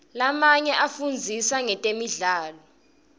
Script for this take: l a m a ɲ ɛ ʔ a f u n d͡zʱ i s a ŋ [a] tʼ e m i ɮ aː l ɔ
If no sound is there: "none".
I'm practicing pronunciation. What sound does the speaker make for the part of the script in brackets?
ɛ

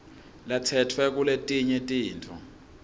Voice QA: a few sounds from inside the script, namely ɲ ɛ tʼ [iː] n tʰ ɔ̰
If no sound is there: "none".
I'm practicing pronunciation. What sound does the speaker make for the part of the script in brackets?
iː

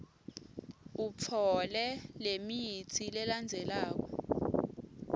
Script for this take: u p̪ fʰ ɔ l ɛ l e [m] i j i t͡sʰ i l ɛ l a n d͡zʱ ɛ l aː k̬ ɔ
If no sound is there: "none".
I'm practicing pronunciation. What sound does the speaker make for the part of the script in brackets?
m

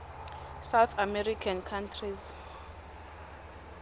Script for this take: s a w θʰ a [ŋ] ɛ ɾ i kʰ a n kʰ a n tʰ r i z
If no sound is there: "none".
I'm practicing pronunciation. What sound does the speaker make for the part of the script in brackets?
m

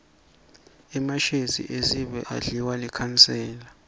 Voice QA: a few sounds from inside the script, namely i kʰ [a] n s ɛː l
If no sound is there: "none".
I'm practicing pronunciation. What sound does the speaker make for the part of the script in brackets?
a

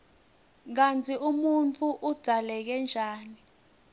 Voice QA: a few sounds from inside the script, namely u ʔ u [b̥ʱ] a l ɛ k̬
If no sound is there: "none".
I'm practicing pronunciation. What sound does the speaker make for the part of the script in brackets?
d̥ʱ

